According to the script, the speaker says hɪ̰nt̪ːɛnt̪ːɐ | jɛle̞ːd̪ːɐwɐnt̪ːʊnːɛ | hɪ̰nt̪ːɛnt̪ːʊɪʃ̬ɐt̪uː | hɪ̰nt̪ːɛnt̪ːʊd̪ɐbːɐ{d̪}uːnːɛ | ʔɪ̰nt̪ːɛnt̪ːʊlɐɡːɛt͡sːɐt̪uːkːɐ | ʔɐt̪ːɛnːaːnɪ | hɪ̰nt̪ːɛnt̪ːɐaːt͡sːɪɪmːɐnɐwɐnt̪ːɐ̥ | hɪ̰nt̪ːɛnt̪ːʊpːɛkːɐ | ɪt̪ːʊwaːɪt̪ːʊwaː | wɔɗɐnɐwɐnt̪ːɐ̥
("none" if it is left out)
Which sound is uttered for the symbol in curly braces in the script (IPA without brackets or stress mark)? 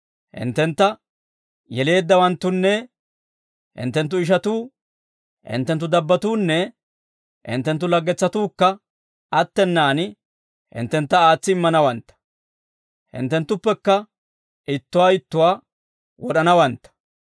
t̪